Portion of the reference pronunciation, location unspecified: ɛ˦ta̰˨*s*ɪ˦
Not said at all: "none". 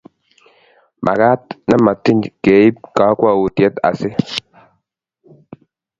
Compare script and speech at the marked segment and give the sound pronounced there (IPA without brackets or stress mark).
s